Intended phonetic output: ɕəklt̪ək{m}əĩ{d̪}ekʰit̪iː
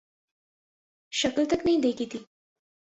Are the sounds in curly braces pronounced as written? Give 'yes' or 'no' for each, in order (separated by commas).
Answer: no, yes